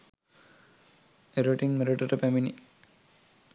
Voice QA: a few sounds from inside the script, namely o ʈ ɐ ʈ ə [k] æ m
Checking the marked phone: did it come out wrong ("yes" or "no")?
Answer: yes